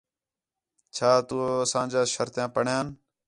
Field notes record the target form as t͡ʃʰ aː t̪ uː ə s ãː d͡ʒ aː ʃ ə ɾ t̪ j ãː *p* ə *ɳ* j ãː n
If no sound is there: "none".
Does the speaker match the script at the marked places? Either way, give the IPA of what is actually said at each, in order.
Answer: p, ɳ

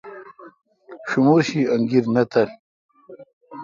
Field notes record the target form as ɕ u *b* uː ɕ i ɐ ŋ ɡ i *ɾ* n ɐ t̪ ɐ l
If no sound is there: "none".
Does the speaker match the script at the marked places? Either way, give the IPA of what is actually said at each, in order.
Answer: m, ɾ

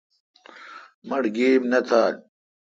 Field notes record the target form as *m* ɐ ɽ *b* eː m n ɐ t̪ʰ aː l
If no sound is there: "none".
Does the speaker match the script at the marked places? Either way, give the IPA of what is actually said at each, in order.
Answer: m, ɡ

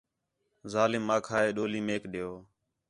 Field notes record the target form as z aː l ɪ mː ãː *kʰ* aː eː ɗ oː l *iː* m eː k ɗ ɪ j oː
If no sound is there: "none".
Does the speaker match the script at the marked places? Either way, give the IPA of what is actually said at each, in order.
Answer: kʰ, iː

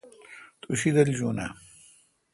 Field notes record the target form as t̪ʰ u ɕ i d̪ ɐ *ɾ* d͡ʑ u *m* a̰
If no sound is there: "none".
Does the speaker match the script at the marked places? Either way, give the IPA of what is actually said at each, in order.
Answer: l, n

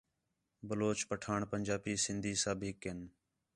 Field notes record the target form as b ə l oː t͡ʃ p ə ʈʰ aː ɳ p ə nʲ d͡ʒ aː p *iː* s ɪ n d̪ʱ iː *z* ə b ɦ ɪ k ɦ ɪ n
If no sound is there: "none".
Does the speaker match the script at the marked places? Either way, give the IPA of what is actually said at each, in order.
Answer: iː, s

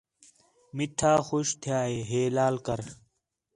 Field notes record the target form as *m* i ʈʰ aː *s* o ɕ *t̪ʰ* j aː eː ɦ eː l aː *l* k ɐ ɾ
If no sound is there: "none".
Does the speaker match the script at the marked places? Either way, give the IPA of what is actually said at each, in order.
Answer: m, x, t̪ʰ, l

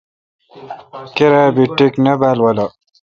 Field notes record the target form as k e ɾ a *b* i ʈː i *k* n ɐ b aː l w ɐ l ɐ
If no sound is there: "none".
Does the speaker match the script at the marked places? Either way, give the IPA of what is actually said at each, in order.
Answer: b, k

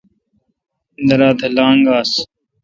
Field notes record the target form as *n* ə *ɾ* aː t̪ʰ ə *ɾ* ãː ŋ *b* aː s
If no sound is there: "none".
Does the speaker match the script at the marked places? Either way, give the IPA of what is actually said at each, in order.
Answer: n, ɾ, l, ɡ

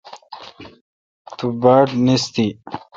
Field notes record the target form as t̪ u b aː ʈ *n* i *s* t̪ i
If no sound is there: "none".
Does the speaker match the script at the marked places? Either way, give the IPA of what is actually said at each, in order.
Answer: n, s

